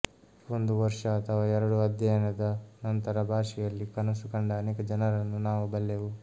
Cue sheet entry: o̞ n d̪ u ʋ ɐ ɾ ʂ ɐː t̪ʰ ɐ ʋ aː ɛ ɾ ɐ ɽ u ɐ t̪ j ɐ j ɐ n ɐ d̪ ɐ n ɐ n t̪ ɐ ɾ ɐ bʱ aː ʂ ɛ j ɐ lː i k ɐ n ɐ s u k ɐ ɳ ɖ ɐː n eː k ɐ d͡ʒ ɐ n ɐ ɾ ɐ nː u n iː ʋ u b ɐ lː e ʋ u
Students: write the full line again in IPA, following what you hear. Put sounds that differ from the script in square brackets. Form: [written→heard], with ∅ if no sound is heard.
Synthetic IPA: o̞ n d̪ u ʋ ɐ ɾ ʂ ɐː t̪ʰ ɐ ʋ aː ɛ ɾ ɐ ɽ u ɐ [t̪→d̪] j ɐ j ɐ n ɐ d̪ ɐ n ɐ n t̪ ɐ ɾ ɐ bʱ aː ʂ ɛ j ɐ lː i k ɐ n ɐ s u k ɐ ɳ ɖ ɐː n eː k ɐ d͡ʒ ɐ n ɐ ɾ ɐ nː u n [iː→aː] ʋ u b ɐ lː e ʋ u

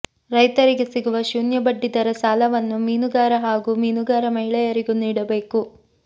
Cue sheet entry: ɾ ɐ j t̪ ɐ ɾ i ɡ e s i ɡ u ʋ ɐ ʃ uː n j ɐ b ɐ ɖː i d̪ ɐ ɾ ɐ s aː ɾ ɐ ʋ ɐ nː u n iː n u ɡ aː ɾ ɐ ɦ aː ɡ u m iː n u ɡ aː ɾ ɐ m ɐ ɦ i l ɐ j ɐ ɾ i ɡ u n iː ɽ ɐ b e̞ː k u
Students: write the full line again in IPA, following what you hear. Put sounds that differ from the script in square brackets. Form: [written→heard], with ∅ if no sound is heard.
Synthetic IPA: ɾ ɐ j t̪ ɐ ɾ i ɡ e s i ɡ u ʋ ɐ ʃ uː n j ɐ b ɐ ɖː i d̪ ɐ ɾ ɐ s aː [ɾ→l] ɐ ʋ ɐ nː u [n→m] iː n u ɡ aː ɾ ɐ ɦ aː ɡ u m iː n u ɡ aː ɾ ɐ m ɐ ɦ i [l→ɭ] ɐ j ɐ ɾ i ɡ u n iː ɽ ɐ b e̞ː k u

